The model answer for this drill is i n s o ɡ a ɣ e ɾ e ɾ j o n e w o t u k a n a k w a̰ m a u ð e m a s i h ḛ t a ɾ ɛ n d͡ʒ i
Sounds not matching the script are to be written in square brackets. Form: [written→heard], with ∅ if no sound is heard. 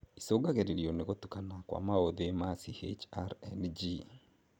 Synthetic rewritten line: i [n→∅] s o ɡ a ɣ e ɾ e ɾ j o n e [w→ɣ] o t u k a n a k w a̰ m a [u→o] ð e m a s i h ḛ [t→t͡ʃ] a ɾ ɛ n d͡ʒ i